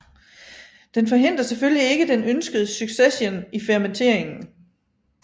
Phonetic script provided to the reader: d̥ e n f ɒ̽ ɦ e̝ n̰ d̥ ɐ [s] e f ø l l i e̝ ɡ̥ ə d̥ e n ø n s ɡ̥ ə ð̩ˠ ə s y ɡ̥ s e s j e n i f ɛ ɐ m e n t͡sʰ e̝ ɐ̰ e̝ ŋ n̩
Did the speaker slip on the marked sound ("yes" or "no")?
no